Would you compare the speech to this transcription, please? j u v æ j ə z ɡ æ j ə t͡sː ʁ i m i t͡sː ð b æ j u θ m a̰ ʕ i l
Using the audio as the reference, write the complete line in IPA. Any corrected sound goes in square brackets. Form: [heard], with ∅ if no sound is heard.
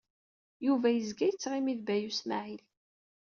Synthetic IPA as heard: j u v æ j ə z ɡ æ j ə t͡sː ʁ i m i [∅] ð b æ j u [s] m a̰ ʕ i l